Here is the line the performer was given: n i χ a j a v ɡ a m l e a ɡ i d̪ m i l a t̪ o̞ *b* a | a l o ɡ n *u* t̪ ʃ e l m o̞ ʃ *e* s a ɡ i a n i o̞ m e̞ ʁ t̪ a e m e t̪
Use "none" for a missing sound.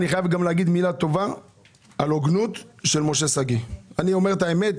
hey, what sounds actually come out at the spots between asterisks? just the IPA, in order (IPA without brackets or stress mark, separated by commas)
v, u, e